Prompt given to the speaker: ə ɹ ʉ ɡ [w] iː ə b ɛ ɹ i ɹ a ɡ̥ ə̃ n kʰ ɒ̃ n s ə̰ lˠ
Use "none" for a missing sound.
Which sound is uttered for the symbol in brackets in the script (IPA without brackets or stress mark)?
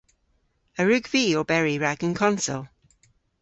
v